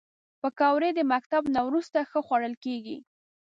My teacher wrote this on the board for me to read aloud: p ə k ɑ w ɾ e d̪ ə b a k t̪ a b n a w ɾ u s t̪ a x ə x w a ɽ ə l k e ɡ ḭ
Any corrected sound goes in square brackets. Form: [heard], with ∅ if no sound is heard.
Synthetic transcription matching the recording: p ə k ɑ w ɾ e d̪ ə [m] a k t̪ a b n a w ɾ u s t̪ a x ə x w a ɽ ə l k e ɡ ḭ